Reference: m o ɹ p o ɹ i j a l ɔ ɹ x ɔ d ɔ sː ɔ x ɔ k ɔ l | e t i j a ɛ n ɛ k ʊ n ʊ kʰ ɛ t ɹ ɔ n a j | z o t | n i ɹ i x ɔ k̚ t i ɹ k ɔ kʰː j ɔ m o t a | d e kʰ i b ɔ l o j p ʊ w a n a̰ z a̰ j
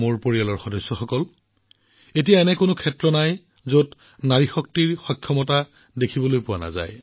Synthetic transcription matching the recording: m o ɹ p o ɹ i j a l ɔ ɹ x ɔ d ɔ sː ɔ x ɔ k ɔ l | e t i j a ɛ n ɛ k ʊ n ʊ kʰ ɛ t ɹ ɔ n a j | z o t | n a ɹ i x ɔ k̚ t i ɹ x ɔ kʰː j ɔ m ɔ t a | d e kʰ i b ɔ l o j p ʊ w a n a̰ z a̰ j